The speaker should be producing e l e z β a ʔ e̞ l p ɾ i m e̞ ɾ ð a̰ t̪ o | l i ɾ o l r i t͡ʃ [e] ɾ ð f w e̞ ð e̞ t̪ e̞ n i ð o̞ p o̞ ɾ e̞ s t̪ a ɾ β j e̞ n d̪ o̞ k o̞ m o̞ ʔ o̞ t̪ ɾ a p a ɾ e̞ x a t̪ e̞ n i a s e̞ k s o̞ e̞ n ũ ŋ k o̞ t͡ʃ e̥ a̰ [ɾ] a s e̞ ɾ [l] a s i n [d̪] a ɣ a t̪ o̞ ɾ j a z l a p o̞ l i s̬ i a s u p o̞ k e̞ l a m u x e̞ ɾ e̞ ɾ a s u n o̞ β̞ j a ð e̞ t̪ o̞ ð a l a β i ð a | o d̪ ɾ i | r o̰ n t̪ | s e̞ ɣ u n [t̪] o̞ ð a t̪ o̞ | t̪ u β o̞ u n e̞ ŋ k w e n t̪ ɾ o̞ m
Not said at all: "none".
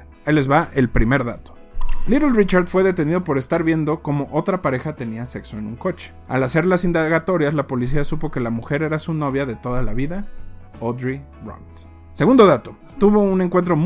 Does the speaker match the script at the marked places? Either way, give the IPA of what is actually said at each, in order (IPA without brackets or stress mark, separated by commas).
a, l, l, d̪, d̪